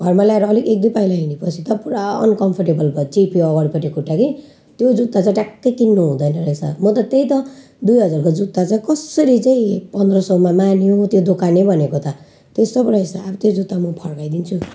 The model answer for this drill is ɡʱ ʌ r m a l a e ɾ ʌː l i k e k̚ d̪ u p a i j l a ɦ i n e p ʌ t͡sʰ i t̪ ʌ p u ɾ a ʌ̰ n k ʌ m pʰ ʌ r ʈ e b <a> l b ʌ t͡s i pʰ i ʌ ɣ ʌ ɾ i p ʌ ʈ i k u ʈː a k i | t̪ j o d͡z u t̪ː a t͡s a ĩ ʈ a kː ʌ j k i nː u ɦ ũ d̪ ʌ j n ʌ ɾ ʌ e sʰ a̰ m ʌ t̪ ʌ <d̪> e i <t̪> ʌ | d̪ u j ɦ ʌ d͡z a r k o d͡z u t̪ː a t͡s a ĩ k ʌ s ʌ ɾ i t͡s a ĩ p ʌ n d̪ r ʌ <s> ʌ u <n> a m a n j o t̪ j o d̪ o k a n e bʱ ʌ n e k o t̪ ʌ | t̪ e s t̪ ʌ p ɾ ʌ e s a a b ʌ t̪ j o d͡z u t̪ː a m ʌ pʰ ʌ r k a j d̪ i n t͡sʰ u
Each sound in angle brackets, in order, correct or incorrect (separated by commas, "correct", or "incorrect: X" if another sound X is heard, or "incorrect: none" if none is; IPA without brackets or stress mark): incorrect: ʌ, incorrect: t̪, correct, correct, incorrect: m